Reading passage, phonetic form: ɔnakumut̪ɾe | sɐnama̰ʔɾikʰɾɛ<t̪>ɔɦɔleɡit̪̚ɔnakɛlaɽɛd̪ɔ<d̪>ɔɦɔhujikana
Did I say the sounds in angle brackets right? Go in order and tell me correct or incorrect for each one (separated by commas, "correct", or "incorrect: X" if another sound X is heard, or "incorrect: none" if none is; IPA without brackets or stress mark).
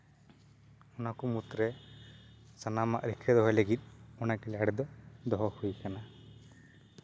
incorrect: d̪, correct